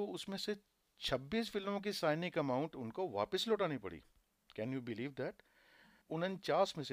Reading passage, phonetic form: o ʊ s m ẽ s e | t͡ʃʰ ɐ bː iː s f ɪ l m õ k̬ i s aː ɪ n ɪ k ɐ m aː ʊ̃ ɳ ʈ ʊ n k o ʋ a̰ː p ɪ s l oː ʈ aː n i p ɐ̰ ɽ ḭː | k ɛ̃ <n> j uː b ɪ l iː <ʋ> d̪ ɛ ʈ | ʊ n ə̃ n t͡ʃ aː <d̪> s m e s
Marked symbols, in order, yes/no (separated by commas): yes, yes, no